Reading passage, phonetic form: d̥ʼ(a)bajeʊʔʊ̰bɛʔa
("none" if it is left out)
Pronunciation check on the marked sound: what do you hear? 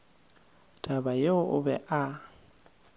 a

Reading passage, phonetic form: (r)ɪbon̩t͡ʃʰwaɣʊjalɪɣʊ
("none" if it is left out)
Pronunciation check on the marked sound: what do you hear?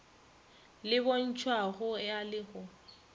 l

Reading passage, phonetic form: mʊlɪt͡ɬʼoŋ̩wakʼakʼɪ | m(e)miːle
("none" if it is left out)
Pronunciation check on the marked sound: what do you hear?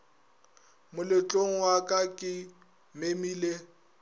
e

